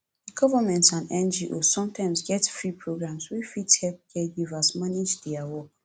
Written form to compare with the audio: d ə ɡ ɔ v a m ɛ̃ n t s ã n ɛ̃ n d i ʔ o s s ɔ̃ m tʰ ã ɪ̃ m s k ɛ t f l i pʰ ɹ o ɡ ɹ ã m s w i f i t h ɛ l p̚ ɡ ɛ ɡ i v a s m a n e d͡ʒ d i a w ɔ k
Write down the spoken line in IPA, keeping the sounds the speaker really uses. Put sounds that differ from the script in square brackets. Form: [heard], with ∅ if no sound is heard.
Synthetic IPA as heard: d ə ɡ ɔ v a m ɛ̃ n t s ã n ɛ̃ n [d͡ʒ] i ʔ o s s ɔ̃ m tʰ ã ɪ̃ m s [ɡ] ɛ t f [ɹ] i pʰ ɹ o ɡ ɹ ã m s w i f i t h ɛ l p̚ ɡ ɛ ɡ i v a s m a n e d͡ʒ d i a w ɔ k